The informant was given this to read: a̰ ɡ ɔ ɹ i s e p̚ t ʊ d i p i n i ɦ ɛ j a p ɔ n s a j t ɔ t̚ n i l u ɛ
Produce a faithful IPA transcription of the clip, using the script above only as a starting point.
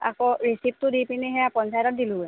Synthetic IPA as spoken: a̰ k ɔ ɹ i s i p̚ t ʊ d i p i n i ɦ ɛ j a p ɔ n s a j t ɔ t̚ d i l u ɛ